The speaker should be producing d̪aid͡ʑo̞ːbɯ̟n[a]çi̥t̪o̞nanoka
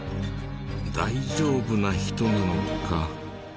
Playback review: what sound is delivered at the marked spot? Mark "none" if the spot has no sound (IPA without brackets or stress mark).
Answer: a